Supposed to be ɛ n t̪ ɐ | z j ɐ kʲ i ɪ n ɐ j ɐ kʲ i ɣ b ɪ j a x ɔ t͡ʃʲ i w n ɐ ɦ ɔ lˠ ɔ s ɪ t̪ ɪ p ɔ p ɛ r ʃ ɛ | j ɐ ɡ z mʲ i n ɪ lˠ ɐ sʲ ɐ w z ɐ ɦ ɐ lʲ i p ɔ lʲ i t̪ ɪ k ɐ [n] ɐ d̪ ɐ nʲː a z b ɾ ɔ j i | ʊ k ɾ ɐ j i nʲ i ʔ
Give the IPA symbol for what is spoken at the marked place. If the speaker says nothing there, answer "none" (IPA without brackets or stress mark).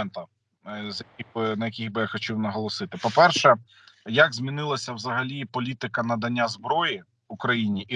n